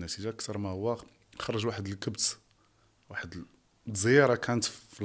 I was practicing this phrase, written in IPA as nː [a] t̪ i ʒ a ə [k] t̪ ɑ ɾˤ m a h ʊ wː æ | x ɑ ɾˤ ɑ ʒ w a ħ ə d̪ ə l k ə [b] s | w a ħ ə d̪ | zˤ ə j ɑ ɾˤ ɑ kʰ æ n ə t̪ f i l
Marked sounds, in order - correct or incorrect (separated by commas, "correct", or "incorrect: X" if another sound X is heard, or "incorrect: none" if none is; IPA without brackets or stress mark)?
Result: incorrect: æ, correct, correct